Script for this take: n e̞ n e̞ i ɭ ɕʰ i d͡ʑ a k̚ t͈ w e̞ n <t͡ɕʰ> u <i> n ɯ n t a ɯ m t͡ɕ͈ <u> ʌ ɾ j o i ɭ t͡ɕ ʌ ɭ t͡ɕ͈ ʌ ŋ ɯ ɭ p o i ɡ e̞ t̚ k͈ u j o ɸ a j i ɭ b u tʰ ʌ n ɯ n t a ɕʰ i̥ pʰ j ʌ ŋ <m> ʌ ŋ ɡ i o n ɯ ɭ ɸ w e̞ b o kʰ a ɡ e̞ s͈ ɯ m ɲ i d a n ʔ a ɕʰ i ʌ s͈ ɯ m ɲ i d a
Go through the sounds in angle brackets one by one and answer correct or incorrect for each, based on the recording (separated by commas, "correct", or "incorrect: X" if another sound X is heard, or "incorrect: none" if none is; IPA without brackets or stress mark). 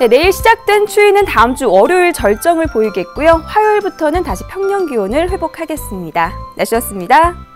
correct, correct, correct, incorrect: ɲ